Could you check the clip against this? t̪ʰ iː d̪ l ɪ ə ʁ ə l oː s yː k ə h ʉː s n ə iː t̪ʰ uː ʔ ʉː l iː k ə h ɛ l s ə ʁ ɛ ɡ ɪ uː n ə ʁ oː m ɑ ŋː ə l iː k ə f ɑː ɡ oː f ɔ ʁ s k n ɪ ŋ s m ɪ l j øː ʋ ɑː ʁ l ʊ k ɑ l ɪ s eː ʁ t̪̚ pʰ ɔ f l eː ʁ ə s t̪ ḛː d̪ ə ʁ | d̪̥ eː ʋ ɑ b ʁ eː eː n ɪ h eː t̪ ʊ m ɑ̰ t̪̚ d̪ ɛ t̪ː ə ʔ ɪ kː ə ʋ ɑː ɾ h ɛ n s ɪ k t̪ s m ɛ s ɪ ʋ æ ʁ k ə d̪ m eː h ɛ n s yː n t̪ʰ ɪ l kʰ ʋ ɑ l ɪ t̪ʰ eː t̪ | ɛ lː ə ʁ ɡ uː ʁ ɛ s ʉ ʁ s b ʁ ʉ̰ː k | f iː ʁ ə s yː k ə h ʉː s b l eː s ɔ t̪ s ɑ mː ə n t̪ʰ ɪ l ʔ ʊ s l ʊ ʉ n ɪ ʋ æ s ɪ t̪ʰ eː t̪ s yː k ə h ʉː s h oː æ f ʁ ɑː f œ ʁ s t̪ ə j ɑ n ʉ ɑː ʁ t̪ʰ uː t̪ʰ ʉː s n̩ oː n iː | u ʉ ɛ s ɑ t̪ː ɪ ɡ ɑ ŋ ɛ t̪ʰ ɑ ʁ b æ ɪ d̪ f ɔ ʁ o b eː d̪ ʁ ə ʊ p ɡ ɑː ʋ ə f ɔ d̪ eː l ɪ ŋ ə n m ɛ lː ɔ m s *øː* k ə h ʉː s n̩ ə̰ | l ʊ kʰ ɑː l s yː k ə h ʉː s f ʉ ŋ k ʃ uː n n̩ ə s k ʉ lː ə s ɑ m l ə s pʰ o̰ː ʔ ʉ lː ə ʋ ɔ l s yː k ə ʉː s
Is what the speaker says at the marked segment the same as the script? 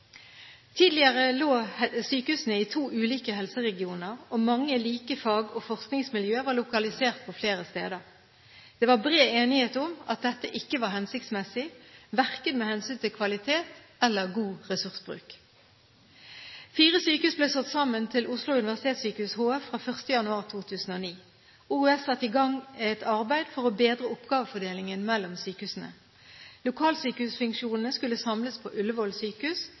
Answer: no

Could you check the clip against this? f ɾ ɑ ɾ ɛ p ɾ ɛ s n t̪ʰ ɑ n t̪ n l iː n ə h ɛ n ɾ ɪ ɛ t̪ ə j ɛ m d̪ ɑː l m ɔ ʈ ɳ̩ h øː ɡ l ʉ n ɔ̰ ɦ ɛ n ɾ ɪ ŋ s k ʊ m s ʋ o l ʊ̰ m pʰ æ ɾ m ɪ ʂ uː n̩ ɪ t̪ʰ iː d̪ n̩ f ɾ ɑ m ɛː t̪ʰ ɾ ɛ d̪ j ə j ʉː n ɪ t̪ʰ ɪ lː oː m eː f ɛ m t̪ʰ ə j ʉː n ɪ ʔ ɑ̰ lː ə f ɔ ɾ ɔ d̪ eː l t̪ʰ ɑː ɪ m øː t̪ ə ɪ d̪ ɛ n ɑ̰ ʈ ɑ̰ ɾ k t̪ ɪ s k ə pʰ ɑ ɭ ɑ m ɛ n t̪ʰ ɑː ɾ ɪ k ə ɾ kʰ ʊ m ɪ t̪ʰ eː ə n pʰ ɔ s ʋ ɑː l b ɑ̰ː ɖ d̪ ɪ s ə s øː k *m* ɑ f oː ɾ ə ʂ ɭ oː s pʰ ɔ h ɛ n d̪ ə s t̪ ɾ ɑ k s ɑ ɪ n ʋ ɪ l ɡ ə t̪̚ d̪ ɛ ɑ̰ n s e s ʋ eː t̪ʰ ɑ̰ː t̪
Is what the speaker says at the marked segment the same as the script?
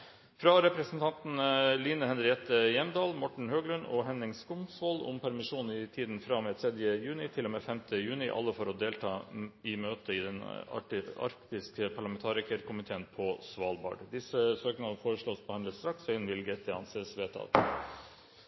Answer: no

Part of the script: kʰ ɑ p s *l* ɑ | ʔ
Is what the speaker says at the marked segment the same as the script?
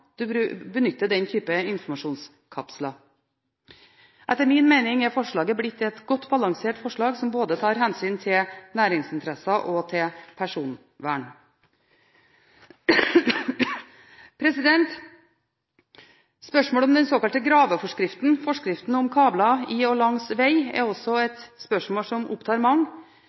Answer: yes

